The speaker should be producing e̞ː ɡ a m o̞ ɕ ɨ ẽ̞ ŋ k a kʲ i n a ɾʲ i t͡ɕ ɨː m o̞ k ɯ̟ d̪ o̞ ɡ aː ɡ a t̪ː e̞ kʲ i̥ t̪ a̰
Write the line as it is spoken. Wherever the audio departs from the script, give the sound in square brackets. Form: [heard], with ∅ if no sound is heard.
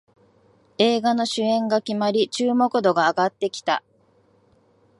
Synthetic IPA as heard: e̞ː ɡ a [n] o̞ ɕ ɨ ẽ̞ ŋ [ɡ] a kʲ i [m] a ɾʲ i t͡ɕ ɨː m o̞ k ɯ̟ d̪ o̞ ɡ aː ɡ a t̪ː e̞ kʲ i̥ t̪ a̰